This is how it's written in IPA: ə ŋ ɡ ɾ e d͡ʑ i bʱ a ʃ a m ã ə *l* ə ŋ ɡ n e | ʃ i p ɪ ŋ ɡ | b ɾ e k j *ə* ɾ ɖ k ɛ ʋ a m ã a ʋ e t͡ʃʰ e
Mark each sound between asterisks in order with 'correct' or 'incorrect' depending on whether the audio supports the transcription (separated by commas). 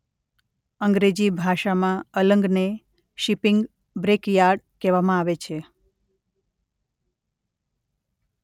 correct, incorrect